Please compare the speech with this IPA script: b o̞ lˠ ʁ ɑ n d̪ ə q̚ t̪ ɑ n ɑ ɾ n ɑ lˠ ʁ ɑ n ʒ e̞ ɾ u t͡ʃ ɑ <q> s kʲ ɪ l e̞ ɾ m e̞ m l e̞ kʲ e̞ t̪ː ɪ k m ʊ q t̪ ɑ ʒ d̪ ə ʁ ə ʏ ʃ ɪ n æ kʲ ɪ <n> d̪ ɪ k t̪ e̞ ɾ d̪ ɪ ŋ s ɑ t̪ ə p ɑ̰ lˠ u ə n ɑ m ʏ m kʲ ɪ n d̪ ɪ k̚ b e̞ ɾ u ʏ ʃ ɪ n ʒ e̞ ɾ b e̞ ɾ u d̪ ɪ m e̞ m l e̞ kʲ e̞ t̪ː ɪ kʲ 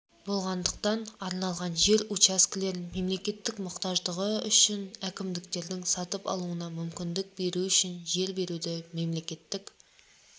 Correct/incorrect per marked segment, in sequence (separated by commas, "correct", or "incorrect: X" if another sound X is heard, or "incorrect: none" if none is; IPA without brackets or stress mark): incorrect: none, incorrect: m